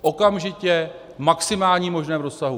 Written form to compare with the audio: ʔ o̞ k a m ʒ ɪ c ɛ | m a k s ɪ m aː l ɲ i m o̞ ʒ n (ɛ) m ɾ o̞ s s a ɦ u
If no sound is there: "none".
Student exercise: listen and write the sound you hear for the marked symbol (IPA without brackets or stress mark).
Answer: ɛː